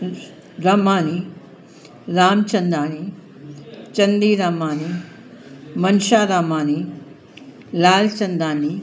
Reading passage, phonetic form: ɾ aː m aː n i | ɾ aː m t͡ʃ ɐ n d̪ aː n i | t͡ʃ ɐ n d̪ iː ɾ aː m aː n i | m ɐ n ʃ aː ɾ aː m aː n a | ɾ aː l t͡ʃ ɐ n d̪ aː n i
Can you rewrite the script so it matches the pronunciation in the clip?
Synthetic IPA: ɾ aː m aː n i | ɾ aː m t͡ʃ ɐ n d̪ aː n i | t͡ʃ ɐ n d̪ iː ɾ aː m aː n i | m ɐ n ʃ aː ɾ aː m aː n i | l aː l t͡ʃ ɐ n d̪ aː n i